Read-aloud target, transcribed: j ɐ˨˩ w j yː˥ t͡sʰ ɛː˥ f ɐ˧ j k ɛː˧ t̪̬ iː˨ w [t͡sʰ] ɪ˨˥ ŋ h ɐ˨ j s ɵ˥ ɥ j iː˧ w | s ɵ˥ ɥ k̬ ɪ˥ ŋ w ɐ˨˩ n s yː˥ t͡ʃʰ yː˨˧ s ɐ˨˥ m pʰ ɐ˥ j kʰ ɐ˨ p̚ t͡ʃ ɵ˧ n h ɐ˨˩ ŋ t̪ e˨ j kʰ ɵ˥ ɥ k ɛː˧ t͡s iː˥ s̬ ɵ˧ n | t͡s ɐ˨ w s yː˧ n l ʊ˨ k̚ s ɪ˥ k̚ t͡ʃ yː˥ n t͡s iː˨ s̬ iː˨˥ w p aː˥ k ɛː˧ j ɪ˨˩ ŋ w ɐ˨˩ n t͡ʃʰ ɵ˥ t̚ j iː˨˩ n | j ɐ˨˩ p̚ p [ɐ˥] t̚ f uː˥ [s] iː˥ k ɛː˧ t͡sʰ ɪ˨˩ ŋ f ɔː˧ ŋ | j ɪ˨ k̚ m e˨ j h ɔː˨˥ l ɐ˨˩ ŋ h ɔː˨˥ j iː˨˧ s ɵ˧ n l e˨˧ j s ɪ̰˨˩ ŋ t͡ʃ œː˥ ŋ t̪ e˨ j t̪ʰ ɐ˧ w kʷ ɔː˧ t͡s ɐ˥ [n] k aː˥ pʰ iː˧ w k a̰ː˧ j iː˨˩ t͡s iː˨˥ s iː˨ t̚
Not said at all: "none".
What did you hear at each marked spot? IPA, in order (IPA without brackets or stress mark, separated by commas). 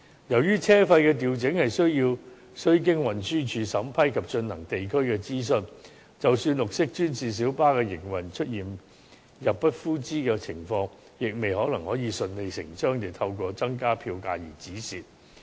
t͡s, ɐ˥, t͡s, ŋ